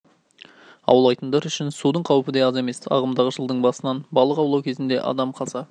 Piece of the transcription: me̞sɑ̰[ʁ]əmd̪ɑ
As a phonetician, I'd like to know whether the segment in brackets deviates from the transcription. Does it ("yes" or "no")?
no